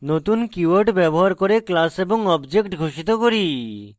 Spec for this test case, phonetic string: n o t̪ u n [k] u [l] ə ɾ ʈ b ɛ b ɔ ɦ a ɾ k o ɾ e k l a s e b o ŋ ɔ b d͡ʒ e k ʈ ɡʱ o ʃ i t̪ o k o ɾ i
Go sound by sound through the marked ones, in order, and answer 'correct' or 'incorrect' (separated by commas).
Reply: correct, incorrect